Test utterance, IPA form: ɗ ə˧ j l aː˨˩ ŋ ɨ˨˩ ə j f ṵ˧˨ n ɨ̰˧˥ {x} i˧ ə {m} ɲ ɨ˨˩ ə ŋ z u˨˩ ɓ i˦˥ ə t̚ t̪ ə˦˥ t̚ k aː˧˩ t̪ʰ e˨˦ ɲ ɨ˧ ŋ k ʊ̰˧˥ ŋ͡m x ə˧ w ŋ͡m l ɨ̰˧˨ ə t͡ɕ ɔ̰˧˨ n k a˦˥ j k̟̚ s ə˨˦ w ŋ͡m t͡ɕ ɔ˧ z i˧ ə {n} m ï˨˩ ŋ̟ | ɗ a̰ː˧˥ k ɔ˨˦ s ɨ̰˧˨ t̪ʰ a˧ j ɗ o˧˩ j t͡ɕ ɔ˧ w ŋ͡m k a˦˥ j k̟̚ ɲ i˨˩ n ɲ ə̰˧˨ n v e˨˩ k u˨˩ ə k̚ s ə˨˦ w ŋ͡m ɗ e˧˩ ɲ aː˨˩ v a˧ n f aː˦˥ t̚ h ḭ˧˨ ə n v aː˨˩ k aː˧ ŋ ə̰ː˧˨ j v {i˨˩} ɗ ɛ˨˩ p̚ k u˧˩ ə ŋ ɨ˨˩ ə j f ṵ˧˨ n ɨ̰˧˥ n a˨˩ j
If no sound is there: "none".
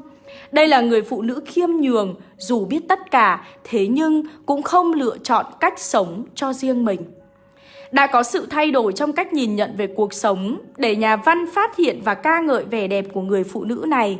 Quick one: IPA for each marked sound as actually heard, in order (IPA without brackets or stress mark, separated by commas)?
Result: x, m, ŋ, ɛ˨˩